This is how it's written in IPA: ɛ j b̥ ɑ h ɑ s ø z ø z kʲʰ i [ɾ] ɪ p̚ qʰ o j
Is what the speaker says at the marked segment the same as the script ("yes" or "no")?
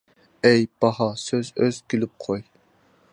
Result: no